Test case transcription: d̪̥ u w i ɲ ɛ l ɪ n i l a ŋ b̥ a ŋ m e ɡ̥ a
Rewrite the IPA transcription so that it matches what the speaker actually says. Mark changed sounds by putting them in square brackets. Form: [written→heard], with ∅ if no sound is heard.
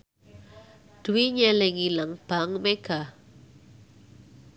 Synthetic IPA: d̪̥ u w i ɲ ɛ l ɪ [n→ŋ] i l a ŋ b̥ a ŋ m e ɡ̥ a